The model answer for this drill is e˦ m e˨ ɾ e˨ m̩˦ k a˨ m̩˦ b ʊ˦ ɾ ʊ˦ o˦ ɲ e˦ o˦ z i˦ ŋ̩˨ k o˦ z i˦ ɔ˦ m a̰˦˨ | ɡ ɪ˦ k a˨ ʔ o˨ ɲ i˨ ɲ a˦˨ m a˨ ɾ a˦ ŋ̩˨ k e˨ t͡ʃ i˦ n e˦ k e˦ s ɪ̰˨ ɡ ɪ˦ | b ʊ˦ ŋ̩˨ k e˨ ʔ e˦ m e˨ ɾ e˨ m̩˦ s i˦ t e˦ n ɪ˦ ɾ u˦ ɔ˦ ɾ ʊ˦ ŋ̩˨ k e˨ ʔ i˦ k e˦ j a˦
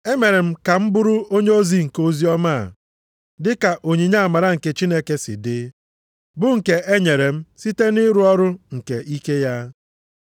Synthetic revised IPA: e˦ m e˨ ɾ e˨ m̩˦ k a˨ m̩˦ b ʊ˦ ɾ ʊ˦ o˦ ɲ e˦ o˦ z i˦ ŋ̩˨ k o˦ z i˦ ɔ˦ m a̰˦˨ | d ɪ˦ k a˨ ʔ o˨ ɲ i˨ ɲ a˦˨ m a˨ ɾ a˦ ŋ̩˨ k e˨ t͡ʃ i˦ n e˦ k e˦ s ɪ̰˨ d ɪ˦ | b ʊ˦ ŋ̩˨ k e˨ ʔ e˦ ɲ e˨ ɾ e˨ m̩˦ s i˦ t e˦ n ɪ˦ ɾ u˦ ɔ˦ ɾ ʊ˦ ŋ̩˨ k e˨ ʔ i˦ k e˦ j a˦

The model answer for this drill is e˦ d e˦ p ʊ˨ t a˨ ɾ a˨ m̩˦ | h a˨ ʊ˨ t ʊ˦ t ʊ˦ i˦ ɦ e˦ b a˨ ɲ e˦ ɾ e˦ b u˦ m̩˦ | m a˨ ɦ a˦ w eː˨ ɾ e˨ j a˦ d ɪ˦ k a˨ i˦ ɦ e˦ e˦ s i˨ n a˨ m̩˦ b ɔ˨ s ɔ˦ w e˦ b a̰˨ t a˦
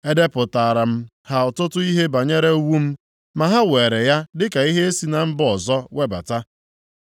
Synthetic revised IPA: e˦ d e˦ p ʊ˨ t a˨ ɾ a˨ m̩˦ | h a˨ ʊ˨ t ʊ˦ t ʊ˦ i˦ ɦ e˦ b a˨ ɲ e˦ ɾ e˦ w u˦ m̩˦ | m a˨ ɦ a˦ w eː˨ ɾ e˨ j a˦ d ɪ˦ k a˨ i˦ ɦ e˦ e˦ s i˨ n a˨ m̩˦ b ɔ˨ z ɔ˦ w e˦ b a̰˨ t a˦

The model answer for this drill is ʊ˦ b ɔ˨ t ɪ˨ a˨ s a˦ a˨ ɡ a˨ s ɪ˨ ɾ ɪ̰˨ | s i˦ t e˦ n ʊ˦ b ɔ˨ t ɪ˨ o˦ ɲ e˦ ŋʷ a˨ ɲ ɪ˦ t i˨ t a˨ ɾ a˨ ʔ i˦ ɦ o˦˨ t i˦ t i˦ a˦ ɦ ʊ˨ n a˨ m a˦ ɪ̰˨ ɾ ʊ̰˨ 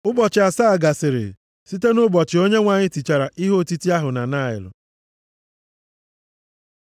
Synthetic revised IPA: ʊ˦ b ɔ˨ t͡ʃ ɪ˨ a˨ s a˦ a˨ ɡ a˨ s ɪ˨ ɾ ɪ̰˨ | s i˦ t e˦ n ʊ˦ b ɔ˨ t͡ʃ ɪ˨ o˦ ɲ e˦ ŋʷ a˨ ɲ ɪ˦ t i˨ t͡ʃ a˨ ɾ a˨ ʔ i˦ ɦ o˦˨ t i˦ t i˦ a˦ ɦ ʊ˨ n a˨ n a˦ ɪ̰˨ l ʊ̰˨

